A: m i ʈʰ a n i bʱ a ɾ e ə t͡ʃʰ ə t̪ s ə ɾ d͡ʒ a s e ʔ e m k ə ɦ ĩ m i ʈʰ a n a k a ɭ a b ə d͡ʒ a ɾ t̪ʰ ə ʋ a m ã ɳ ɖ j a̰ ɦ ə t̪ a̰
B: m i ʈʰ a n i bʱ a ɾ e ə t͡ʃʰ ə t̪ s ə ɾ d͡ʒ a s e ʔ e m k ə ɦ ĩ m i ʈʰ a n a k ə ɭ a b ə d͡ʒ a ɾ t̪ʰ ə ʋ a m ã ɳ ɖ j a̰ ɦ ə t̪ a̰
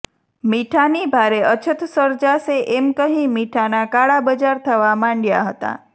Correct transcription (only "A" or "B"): A